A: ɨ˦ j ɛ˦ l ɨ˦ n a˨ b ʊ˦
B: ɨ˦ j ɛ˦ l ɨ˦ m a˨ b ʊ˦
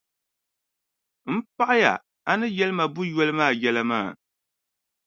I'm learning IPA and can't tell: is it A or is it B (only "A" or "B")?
B